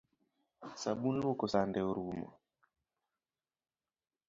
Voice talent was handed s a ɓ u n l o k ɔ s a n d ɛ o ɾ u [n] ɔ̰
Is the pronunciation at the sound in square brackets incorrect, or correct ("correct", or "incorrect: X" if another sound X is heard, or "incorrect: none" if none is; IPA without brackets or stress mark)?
incorrect: m